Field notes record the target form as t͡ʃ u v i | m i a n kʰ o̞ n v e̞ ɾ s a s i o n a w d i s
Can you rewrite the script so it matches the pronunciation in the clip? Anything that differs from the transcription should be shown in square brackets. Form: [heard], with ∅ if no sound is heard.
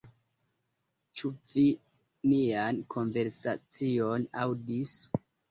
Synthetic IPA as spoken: t͡ʃ u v i | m i a n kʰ o̞ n v e̞ ɾ s a [t͡s] i o n a w d i s